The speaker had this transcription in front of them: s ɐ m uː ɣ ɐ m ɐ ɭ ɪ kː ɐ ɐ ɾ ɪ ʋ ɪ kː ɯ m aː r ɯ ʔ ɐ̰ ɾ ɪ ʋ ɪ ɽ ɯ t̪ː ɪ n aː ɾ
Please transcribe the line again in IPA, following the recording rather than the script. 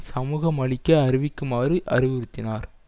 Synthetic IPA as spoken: s ɐ m uː ɣ ɐ m ɐ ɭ ɪ kː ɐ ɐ ɾ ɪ ʋ ɪ kː ɯ m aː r ɯ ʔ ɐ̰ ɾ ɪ ʋ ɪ ɾ ɯ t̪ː ɪ n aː ɾ

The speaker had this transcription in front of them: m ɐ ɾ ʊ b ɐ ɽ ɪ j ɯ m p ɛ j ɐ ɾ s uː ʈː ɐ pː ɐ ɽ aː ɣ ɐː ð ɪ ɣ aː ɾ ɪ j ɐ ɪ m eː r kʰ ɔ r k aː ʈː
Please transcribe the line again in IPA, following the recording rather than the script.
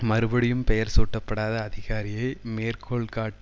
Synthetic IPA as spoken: m ɐ ɾ ɯ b ɐ ɽ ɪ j ɯ m p ɛ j ɐ ɾ s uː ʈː ɐ pː ɐ ɽ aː ð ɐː ð ɪ ɣ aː ɾ ɪ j ɐ ɪ m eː r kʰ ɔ ɭ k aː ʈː

